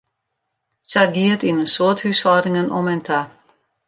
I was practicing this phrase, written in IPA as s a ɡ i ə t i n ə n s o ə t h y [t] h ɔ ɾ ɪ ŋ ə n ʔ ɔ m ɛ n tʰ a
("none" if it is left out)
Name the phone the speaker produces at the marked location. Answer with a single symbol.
s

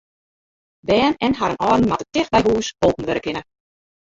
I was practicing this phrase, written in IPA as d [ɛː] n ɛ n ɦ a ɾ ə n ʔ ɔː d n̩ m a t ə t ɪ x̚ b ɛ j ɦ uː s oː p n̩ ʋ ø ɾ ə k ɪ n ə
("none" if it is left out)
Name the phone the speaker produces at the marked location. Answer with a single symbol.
ɛː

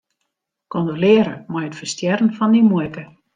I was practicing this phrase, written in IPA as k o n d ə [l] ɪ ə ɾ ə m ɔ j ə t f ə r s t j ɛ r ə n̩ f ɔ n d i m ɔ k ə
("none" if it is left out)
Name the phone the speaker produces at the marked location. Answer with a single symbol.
l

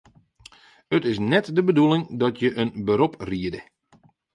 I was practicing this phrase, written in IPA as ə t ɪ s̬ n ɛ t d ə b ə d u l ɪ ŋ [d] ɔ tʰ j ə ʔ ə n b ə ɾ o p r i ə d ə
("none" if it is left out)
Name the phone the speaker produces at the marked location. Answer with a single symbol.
d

